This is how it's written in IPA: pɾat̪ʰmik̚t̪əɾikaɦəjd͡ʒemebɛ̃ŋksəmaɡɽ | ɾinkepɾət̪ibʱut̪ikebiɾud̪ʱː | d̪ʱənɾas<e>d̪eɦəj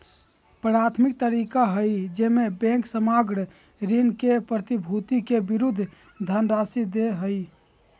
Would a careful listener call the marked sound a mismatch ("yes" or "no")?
yes